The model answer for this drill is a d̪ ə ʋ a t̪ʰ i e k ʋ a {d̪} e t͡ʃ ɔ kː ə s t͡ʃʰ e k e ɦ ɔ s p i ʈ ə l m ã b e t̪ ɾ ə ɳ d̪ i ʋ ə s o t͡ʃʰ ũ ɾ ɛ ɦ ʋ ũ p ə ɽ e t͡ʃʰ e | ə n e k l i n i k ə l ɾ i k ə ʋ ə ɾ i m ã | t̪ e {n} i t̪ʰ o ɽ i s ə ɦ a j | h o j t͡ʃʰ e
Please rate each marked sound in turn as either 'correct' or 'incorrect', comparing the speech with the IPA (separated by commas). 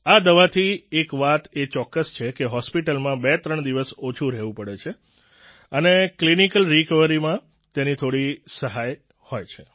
incorrect, correct